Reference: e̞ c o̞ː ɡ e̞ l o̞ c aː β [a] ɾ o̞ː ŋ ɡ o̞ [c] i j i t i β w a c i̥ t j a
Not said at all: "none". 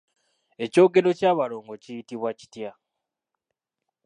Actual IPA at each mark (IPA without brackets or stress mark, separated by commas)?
a, c